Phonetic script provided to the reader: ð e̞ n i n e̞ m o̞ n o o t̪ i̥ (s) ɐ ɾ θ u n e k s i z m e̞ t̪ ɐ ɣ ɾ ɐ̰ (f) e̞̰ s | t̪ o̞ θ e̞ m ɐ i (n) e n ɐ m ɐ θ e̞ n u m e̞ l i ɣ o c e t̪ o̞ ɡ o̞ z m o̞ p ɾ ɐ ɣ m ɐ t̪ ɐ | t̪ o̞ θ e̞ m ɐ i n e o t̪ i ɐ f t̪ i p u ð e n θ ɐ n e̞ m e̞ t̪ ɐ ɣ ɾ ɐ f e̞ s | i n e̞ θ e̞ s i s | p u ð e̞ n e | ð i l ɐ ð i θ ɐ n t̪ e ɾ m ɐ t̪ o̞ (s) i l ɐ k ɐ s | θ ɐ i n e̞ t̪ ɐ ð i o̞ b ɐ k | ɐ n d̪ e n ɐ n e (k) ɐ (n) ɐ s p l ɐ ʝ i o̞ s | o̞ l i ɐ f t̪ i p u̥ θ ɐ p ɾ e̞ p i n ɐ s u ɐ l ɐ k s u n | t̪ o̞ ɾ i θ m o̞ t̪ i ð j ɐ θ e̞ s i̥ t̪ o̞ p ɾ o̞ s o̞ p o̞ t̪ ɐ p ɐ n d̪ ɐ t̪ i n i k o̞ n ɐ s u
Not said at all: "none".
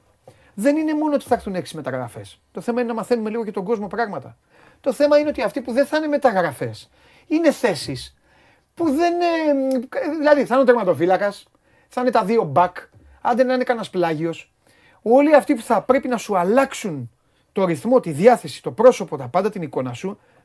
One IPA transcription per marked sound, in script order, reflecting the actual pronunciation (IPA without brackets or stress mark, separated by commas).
θ, f, n, f, k, n